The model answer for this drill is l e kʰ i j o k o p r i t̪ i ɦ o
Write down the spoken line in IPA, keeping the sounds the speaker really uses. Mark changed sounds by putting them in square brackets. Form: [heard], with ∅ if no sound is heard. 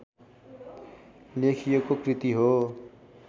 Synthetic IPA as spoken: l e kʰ i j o k o [k] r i t̪ i ɦ o